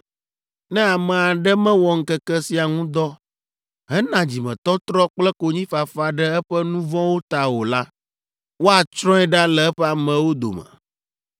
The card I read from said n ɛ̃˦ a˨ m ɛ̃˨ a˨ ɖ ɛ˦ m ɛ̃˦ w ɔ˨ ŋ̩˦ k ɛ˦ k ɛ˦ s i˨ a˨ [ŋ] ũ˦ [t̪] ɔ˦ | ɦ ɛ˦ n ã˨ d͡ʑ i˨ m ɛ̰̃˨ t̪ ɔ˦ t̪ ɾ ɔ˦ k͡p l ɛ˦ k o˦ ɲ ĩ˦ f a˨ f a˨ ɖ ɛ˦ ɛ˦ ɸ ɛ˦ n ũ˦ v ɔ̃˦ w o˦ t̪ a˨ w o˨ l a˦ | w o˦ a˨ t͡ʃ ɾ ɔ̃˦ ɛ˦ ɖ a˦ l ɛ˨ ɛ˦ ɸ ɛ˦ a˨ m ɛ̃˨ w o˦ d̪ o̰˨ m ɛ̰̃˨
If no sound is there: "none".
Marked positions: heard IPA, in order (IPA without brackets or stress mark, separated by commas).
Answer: ŋ, d̪